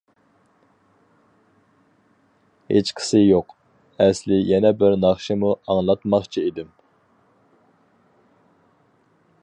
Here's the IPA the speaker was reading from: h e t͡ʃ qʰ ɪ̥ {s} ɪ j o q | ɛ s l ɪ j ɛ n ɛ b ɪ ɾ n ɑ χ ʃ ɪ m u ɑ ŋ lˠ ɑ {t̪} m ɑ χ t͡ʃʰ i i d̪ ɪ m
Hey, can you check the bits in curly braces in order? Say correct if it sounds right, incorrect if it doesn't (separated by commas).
correct, correct